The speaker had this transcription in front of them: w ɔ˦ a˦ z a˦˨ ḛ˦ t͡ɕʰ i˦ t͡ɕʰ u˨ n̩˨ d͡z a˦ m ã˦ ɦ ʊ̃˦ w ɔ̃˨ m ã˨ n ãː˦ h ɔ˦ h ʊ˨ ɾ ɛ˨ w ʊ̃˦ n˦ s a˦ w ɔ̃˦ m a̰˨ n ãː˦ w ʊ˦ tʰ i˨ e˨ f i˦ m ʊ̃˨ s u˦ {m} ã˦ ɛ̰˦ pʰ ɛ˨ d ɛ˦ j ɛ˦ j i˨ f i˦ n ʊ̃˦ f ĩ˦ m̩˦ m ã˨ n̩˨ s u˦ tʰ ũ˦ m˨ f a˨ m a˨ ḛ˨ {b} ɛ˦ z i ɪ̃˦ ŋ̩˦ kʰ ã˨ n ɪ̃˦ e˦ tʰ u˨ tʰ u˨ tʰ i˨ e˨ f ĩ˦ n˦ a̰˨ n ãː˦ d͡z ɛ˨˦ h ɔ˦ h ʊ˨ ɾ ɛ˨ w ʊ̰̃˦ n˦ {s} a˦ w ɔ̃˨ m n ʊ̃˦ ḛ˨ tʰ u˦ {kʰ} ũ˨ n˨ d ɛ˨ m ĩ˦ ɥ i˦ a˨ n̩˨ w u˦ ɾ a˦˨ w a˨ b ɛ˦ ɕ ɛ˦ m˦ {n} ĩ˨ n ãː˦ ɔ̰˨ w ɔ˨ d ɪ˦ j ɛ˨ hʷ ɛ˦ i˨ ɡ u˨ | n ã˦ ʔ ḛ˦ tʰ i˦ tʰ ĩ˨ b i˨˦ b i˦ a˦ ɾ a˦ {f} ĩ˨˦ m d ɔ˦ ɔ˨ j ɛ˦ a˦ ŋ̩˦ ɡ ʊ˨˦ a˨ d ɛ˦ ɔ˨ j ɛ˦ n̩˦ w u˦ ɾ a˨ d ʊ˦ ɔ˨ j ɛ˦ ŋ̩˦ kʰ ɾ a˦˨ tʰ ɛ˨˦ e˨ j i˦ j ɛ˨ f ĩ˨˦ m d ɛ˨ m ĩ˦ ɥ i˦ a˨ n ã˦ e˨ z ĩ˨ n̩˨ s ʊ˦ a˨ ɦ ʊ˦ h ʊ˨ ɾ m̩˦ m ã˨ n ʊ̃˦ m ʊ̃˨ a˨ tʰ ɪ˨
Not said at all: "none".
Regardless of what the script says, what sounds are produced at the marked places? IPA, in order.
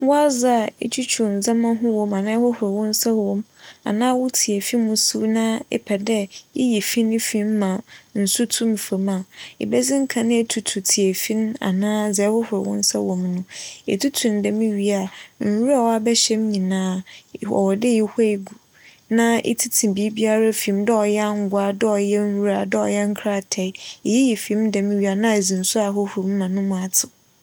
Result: n, b, s, tʰ, ɲ, f

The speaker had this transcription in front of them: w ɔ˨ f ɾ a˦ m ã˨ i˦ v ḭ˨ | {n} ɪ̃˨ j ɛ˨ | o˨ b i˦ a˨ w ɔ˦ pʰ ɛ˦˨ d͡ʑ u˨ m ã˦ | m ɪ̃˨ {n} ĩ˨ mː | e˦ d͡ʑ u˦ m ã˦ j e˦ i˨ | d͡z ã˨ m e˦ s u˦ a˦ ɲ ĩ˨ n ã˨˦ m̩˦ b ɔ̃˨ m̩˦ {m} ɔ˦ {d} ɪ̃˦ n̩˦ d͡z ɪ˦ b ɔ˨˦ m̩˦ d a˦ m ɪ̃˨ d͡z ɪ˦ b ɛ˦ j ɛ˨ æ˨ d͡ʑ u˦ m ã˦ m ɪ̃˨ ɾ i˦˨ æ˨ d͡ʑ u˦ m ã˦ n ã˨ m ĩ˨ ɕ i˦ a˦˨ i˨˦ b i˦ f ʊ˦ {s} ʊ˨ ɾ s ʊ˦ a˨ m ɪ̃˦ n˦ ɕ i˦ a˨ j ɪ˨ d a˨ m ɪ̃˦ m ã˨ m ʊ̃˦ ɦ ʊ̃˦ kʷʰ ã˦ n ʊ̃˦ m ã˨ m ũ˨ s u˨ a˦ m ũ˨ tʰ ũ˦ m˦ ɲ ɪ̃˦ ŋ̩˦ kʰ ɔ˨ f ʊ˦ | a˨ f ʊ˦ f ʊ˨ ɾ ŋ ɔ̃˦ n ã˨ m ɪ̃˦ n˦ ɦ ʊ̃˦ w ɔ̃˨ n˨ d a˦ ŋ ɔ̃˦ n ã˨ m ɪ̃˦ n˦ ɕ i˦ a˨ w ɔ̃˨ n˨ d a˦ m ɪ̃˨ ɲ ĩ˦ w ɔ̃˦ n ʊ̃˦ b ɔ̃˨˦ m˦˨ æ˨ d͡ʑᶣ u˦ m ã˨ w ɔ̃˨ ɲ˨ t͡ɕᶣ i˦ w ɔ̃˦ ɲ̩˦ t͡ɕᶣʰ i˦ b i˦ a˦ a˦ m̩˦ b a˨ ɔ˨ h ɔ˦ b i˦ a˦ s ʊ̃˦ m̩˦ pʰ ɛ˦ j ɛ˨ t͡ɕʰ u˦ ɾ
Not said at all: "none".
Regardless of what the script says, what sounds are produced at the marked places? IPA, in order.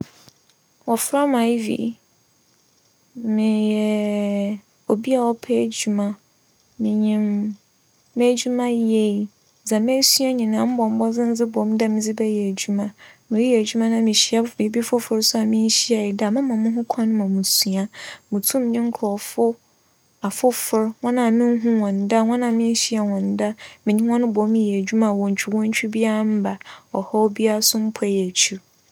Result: m, ɲ, b, d͡z, f

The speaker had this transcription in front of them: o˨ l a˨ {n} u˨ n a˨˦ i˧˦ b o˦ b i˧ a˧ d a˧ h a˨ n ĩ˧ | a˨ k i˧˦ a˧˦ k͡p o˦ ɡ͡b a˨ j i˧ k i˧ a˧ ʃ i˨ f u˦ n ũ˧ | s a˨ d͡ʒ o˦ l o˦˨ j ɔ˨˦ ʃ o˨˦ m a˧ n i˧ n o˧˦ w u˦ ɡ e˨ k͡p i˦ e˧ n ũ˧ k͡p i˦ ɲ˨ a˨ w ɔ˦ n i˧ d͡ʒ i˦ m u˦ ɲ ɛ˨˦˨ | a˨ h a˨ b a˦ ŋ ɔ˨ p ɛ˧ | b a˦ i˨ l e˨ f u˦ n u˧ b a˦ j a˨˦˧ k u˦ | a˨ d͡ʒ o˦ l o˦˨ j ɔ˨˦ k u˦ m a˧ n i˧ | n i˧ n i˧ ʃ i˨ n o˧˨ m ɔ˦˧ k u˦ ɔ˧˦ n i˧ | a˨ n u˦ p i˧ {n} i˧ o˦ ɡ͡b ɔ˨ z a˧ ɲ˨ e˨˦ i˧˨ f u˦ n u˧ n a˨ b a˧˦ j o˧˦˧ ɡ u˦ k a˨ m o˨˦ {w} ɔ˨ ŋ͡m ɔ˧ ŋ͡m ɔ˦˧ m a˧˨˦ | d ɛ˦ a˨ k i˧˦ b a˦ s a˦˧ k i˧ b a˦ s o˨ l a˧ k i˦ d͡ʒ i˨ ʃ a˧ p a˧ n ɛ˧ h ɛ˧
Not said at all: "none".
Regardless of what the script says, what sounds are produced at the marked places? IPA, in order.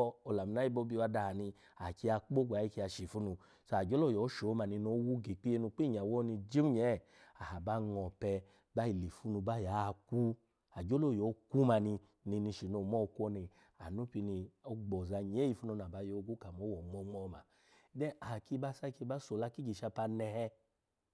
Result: m, n, w

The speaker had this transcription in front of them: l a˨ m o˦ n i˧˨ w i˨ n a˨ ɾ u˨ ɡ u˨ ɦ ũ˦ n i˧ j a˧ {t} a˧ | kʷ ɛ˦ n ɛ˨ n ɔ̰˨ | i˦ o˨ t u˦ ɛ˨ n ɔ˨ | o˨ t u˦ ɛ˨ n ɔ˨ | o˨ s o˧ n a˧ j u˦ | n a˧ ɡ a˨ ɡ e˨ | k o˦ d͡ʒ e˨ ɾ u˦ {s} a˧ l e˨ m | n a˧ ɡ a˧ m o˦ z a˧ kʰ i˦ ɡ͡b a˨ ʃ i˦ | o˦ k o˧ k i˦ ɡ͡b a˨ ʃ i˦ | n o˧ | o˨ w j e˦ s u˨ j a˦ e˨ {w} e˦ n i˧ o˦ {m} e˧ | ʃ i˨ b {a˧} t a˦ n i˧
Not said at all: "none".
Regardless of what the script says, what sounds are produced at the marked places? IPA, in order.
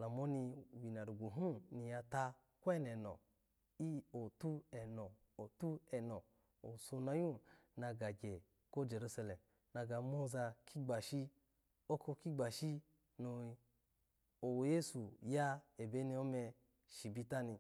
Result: t, s, b, m, i˧

